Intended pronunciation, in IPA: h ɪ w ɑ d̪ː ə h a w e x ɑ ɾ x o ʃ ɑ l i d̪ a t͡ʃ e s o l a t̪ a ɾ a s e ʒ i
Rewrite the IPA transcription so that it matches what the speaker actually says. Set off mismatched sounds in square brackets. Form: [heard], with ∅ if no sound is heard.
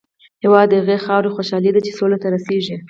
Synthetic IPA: h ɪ w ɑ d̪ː ə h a [ɣ] e x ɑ ɾ x o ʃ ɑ l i d̪ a t͡ʃ e s o l a t̪ a ɾ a s e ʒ i